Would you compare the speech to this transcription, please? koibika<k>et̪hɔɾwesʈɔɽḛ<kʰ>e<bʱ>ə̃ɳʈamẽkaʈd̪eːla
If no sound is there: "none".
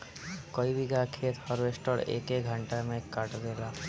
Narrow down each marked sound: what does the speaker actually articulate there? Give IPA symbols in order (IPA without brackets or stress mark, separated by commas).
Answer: kʰ, k, ɡʱ